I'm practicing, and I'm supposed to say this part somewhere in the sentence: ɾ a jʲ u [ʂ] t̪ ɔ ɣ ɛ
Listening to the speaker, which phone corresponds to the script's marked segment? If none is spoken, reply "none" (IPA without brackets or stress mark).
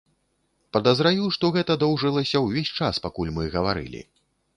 ʂ